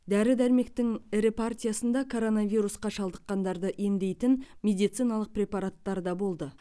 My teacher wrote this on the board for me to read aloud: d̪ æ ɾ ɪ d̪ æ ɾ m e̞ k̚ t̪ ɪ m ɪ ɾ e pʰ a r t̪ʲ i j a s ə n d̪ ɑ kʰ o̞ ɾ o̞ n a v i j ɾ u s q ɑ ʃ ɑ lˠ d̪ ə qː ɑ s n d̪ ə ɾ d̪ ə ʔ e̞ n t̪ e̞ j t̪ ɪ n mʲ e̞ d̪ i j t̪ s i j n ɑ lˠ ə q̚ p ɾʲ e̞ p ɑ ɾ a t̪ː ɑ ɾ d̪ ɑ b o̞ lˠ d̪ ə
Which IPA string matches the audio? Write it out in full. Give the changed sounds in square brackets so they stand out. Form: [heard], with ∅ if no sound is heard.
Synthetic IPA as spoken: d̪ æ ɾ ɪ d̪ æ ɾ m e̞ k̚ t̪ ɪ [ŋ] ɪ ɾ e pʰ a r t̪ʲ i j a s ə n d̪ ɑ kʰ o̞ ɾ o̞ n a v i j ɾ u s q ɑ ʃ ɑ lˠ d̪ ə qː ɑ [∅] n d̪ [ɑ] ɾ d̪ ə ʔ e̞ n [d̪] e̞ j t̪ ɪ n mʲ e̞ d̪ i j t̪ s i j n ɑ lˠ ə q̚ p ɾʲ e̞ p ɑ ɾ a t̪ː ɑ ɾ d̪ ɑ b o̞ lˠ d̪ ə